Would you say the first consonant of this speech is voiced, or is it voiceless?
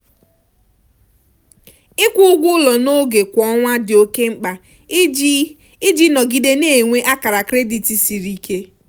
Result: voiceless